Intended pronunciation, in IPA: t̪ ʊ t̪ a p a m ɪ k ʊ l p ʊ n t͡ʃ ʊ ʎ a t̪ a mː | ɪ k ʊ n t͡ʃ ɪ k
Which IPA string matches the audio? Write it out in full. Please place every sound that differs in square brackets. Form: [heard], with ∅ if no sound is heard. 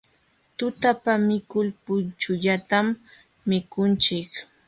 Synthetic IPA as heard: t̪ ʊ t̪ a p a m ɪ k ʊ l p ʊ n t͡ʃ ʊ ʎ a t̪ a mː | ɪ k ʊ n t͡ʃ ɪ k